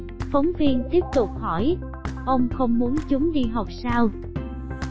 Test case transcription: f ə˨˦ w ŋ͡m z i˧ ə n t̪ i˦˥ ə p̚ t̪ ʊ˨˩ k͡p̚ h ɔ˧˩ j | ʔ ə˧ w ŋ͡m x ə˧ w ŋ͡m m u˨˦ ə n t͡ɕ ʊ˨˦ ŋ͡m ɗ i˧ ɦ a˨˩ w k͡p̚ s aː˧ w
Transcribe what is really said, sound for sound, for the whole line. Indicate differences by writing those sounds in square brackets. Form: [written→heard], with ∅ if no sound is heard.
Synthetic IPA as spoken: f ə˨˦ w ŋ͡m [z→v] i˧ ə n t̪ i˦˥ ə p̚ t̪ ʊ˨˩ k͡p̚ h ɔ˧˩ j | ʔ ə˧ w ŋ͡m x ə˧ w ŋ͡m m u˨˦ ə n t͡ɕ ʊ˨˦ ŋ͡m ɗ i˧ ɦ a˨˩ w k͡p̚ s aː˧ w